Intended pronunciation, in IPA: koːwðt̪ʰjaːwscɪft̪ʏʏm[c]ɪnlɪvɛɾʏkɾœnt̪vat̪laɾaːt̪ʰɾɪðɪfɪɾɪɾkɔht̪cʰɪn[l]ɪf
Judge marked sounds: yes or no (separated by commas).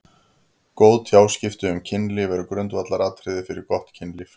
no, yes